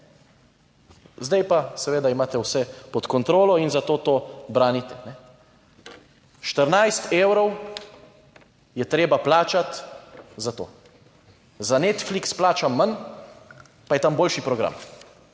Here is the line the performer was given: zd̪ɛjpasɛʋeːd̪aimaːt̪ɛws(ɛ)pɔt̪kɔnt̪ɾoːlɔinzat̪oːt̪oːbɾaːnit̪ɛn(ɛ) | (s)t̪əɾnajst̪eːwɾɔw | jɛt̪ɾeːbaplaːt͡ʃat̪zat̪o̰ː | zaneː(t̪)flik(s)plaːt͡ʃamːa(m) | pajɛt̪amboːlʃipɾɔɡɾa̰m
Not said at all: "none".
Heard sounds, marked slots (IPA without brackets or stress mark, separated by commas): ɛ, ɛ, ʃ, t̪, s, n